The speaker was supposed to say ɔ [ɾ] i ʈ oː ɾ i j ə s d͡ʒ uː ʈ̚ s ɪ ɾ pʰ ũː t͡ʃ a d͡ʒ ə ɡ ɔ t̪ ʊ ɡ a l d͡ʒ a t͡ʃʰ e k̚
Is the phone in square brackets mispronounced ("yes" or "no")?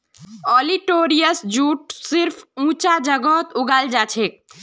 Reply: yes